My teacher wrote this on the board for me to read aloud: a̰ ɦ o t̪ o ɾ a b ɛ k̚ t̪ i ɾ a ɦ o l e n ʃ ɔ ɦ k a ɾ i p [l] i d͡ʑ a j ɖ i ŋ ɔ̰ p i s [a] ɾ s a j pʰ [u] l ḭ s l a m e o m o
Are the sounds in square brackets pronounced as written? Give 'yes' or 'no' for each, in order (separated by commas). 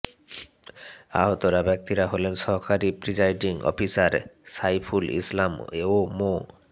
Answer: no, yes, yes